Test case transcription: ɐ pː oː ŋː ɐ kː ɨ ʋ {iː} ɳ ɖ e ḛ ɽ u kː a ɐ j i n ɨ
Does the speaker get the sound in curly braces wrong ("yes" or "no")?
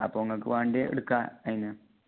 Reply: yes